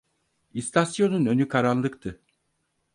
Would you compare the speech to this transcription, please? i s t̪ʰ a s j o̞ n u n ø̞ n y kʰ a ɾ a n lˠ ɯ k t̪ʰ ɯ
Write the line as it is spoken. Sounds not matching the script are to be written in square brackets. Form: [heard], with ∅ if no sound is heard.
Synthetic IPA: i s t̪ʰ a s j o̞ n u n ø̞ n y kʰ a ɾ a n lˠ ɯ k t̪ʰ ɯ